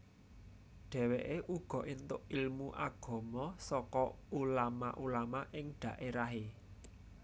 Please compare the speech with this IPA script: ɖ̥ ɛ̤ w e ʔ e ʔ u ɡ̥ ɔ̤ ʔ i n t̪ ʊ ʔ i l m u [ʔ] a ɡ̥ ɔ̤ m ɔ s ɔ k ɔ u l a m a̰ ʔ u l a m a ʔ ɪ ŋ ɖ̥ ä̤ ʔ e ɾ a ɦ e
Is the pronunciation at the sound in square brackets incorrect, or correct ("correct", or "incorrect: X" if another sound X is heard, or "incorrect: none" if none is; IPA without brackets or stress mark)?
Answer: correct